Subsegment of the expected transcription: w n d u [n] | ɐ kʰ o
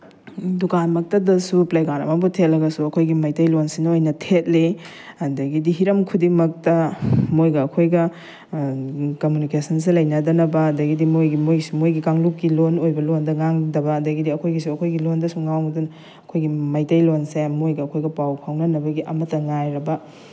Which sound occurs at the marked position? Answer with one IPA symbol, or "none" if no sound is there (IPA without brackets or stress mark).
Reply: n